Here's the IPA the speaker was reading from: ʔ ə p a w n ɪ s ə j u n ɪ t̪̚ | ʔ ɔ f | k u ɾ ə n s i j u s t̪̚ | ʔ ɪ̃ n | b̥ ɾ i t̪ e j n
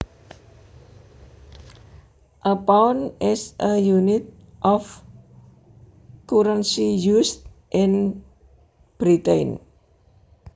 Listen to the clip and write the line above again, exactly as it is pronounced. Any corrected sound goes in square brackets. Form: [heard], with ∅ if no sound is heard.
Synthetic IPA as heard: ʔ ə p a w n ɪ s ə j u n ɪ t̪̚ | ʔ ɔ f | k u ɾ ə n s i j u s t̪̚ | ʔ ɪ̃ n | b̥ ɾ i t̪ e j n